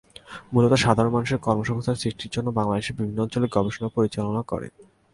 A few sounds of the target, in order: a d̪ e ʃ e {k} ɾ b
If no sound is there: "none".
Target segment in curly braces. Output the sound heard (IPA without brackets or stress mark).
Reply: none